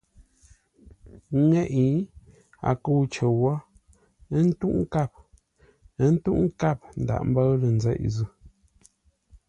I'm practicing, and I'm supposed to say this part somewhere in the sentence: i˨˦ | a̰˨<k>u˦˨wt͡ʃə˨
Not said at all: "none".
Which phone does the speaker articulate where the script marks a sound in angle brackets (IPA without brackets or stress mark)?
k